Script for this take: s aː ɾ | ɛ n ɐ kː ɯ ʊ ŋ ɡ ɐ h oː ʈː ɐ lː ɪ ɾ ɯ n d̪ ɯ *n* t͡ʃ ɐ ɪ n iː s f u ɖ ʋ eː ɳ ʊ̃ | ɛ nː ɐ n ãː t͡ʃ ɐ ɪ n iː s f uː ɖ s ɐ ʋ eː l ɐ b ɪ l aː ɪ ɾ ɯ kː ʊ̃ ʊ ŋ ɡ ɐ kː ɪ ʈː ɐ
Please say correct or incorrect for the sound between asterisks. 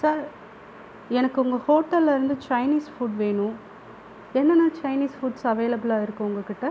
incorrect